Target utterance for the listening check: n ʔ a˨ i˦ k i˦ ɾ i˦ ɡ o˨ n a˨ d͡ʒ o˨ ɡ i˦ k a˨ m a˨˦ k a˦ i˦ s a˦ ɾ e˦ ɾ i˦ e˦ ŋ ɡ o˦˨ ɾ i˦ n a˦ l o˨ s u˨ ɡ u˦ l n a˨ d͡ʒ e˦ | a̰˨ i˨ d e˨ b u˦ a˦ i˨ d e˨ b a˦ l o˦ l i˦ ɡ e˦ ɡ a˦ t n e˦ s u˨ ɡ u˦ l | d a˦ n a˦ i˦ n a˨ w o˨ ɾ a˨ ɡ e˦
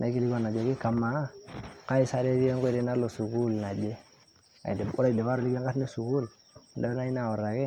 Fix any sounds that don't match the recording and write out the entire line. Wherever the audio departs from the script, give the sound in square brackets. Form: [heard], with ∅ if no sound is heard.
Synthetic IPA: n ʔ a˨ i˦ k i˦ [l] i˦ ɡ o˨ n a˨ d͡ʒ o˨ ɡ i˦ k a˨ m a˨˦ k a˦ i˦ s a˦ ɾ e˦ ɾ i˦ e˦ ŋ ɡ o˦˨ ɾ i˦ n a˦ l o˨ s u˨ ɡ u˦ l n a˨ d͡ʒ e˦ | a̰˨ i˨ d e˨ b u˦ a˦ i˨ d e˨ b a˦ [ɾ] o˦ l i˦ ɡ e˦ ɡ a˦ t n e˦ s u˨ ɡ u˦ l | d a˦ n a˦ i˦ n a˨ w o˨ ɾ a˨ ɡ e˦

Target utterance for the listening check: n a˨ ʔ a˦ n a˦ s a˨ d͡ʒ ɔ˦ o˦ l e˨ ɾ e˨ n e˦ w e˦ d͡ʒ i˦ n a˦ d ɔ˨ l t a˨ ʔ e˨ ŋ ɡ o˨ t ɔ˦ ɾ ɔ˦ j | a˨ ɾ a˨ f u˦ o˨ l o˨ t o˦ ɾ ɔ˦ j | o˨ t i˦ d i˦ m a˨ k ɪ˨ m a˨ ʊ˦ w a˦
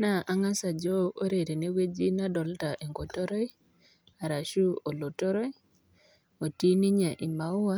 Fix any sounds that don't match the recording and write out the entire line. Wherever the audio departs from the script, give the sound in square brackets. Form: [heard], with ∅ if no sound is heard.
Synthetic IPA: n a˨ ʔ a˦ [ŋ] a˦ s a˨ d͡ʒ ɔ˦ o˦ [ɾ] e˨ ɾ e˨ n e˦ w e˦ d͡ʒ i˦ n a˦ d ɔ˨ l t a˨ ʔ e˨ ŋ ɡ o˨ t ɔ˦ ɾ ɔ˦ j | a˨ ɾ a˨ [ʃ] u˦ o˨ l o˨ t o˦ ɾ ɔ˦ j | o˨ t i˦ [n] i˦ [ɲ] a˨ [ʔ] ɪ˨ m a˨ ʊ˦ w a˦

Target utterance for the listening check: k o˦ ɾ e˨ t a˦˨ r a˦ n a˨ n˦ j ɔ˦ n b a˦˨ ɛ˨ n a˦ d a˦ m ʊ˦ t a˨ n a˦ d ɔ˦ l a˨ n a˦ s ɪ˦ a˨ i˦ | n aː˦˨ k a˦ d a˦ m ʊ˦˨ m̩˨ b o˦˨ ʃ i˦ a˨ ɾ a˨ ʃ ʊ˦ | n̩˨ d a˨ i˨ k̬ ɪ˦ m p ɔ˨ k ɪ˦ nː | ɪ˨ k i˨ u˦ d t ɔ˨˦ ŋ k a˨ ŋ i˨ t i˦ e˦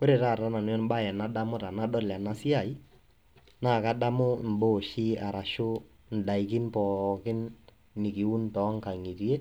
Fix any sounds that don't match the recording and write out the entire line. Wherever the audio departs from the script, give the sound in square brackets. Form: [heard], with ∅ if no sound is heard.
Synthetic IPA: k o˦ ɾ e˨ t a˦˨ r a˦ n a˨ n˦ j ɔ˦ n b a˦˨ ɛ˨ n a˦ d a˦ m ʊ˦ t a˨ n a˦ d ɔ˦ l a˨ n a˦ s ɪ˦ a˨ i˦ | n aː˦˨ k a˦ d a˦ m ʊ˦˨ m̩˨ b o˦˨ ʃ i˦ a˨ ɾ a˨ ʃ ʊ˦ | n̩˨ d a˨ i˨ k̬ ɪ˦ [n] p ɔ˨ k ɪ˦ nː | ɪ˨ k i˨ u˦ [n] t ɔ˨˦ ŋ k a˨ ŋ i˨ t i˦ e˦

